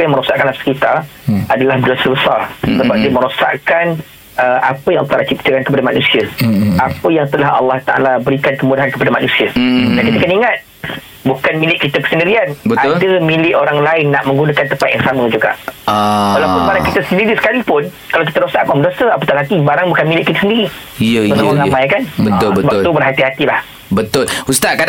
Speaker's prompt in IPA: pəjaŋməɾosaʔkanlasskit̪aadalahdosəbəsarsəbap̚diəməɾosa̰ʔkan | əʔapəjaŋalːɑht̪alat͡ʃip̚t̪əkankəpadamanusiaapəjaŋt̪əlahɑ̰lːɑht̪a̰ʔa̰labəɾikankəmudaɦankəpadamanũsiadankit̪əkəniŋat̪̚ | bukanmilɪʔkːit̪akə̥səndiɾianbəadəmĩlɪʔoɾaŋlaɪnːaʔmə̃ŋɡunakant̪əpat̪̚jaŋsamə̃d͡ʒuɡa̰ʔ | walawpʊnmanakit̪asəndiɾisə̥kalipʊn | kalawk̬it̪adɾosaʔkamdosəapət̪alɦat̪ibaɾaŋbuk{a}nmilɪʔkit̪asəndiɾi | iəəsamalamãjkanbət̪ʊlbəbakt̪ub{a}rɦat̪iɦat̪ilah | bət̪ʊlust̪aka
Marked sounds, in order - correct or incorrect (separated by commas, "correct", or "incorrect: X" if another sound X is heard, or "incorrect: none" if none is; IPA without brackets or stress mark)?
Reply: correct, incorrect: ə